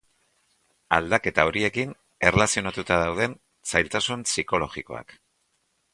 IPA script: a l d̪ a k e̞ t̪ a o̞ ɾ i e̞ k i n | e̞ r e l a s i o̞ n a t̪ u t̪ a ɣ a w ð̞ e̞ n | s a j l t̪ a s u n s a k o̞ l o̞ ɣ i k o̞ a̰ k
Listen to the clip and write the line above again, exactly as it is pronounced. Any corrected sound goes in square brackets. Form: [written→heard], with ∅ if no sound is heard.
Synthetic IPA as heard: a l d̪ a k e̞ t̪ a o̞ ɾ i e̞ k i n | e̞ r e l a s i o̞ n a t̪ u t̪ a [ɣ→ð] a w ð̞ e̞ n | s a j l t̪ a s u n s [a→i] k o̞ l o̞ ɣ i k o̞ a̰ k